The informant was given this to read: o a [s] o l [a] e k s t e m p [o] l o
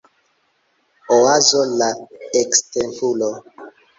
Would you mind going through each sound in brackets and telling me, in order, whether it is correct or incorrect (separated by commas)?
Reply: incorrect, correct, incorrect